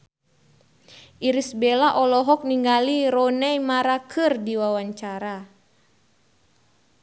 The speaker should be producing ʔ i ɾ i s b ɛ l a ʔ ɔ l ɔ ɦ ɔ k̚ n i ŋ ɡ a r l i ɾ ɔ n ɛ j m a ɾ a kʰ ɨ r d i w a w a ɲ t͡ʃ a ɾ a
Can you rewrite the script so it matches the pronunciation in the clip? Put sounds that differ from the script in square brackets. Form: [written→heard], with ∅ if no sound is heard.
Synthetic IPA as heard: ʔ i ɾ i s b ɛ l a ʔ ɔ l ɔ ɦ ɔ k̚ n i ŋ ɡ a [r→∅] l i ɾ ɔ n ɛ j m a ɾ a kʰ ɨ r d i w a w a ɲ t͡ʃ a ɾ a